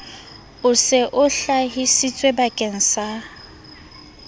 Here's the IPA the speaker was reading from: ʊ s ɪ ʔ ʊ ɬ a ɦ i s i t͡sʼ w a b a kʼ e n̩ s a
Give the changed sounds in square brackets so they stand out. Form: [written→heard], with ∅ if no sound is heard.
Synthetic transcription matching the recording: ʊ s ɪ ʔ ʊ ɬ a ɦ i s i t͡sʼ w [a→e] b a kʼ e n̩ s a

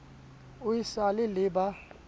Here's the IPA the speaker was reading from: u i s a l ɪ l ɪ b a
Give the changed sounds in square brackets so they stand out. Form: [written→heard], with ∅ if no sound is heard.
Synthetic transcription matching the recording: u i s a l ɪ l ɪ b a

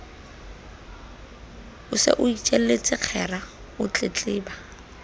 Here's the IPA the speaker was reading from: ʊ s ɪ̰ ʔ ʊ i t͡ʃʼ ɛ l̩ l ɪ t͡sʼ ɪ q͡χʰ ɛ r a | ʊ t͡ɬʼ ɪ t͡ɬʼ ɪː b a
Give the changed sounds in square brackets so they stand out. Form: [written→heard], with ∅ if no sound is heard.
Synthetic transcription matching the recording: ʊ s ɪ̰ ʔ ʊ i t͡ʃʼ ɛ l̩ l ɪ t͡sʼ ɪ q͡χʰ ɛ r a | ʊ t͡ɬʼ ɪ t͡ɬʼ ɪː b a

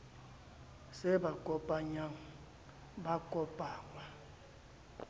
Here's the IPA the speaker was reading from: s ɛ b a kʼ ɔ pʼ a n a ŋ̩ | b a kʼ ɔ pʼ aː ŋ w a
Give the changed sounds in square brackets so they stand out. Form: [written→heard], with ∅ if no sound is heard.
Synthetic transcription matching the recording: s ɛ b a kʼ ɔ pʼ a [n→ɲ] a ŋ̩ | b a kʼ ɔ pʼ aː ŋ w a

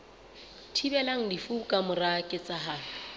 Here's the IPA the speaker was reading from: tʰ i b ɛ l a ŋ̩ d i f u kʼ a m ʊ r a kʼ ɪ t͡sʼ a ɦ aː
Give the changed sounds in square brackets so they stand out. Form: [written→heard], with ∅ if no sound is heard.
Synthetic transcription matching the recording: tʰ i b ɛ l a ŋ̩ d i f u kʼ a m ʊ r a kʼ ɪ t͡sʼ a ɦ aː

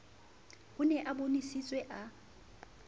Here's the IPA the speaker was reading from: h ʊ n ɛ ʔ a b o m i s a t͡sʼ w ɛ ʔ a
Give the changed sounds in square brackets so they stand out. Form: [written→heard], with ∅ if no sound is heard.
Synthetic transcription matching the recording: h ʊ n ɛ ʔ a b o [m→n] i s [a→i] t͡sʼ w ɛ ʔ a

